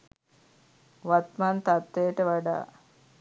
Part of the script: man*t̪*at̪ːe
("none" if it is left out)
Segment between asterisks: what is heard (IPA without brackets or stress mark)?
t̪